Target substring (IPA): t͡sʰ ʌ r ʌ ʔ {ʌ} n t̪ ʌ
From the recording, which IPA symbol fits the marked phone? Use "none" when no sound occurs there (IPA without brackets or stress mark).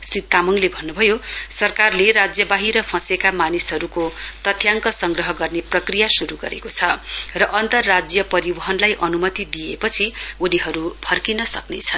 ʌ